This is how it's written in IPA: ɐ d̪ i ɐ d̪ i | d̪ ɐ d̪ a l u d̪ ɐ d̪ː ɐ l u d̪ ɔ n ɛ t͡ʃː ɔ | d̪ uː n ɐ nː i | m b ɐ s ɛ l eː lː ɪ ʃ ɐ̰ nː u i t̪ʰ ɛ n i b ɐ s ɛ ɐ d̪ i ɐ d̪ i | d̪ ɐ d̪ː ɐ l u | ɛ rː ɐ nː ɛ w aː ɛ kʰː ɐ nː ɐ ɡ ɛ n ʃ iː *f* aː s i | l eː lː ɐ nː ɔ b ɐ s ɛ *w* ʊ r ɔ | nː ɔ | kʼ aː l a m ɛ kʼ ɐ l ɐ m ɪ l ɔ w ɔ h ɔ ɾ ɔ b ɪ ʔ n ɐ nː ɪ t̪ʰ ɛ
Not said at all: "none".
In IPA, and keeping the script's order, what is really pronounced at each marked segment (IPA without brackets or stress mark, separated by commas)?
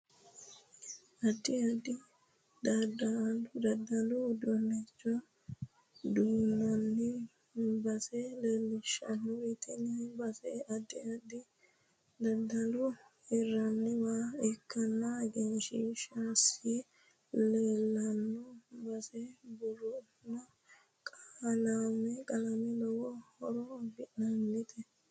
ʃ, b